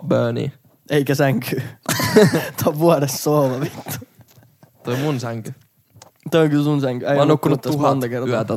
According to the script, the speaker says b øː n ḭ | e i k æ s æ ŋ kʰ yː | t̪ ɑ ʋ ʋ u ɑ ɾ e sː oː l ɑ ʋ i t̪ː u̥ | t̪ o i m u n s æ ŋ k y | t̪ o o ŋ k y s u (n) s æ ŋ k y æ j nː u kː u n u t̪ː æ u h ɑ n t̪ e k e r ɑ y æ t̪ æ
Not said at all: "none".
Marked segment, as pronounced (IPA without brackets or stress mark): n